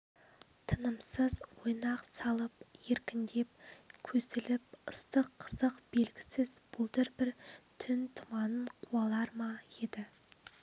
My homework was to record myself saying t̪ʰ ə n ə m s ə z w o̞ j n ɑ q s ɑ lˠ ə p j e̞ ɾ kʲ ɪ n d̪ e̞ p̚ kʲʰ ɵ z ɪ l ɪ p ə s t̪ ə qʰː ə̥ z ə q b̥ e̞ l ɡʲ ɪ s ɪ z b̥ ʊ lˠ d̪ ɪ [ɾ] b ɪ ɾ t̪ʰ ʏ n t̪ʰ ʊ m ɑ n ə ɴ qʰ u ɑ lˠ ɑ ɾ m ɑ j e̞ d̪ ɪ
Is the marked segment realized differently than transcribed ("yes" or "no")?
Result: no